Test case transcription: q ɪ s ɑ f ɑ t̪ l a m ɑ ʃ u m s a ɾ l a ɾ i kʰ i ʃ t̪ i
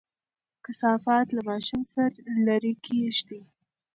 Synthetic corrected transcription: k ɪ s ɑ f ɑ t̪ l a m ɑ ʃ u m s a ɾ l a ɾ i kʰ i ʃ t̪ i